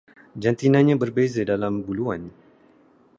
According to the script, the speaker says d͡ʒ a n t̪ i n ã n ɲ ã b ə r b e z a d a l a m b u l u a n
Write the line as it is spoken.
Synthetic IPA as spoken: d͡ʒ a n t̪ i n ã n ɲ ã b ə r b e z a d a l a m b u l u a n